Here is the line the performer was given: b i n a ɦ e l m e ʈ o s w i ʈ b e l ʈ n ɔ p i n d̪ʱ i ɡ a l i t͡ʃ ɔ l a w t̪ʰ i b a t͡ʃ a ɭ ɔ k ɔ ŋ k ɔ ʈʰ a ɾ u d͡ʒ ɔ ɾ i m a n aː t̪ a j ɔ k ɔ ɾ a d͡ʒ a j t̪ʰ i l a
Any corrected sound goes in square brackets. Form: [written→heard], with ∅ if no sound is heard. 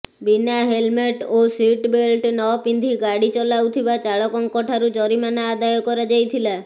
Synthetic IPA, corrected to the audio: b i n a ɦ e l m e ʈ o s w i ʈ b e l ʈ n ɔ p i n d̪ʱ i ɡ a [l→ɽ] i t͡ʃ ɔ l a w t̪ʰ i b a t͡ʃ a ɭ ɔ k ɔ ŋ k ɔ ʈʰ a ɾ u d͡ʒ ɔ ɾ i m a n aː [t̪→d̪] a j ɔ k ɔ ɾ a d͡ʒ a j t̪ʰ i l a